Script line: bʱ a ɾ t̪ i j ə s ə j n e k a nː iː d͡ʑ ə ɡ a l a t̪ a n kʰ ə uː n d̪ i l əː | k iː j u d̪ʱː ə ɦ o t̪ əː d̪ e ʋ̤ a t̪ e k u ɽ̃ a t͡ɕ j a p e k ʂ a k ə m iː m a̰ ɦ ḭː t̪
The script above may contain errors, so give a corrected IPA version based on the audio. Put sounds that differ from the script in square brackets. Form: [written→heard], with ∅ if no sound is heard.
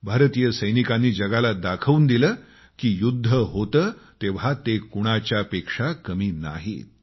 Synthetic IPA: bʱ a ɾ t̪ i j ə s ə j n [e→i] k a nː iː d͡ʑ ə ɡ a l a [t̪→d̪] a [n→∅] kʰ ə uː n d̪ i l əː | k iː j u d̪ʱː ə ɦ o t̪ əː [d̪→t̪] e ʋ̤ a t̪ e k u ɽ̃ a t͡ɕ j a p e k ʂ a k ə m iː [m→n] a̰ ɦ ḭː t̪